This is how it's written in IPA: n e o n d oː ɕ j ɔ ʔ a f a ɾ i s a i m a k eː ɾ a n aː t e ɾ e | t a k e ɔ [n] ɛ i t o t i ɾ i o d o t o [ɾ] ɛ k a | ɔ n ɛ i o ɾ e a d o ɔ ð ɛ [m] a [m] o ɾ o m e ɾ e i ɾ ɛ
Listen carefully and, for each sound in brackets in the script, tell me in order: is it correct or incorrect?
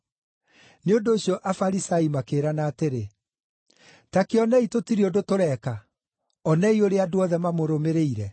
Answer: correct, correct, correct, correct

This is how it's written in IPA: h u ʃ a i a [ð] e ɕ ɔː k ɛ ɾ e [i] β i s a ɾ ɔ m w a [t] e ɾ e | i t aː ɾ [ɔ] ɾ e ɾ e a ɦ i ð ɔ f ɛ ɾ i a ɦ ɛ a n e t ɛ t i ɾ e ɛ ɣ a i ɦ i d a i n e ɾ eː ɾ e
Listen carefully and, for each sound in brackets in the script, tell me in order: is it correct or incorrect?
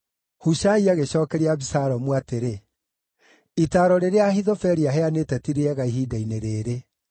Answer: incorrect, incorrect, correct, correct

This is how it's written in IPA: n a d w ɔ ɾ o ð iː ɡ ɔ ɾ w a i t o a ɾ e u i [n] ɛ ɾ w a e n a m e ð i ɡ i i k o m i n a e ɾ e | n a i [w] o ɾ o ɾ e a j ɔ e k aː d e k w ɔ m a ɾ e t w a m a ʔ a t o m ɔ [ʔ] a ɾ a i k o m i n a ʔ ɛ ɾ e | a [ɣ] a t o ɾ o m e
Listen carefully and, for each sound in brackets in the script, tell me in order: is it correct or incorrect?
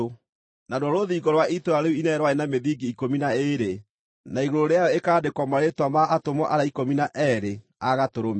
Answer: correct, incorrect, correct, correct

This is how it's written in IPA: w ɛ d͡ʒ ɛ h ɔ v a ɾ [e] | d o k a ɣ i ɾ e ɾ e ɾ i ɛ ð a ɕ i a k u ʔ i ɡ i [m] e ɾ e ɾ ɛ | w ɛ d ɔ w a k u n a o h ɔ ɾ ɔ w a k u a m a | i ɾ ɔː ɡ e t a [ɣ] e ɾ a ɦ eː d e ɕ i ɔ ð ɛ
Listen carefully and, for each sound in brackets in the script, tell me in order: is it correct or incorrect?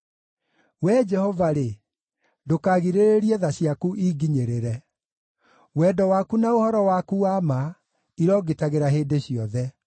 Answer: correct, incorrect, correct

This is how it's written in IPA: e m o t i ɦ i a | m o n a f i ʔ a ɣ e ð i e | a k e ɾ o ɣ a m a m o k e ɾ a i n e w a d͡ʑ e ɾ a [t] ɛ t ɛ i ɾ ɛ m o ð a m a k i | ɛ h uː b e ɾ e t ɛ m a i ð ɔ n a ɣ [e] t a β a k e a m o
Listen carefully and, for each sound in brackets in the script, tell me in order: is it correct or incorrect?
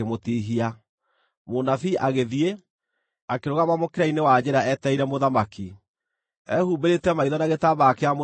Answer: incorrect, correct

